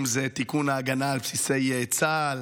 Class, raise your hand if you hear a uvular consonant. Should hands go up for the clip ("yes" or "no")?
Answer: no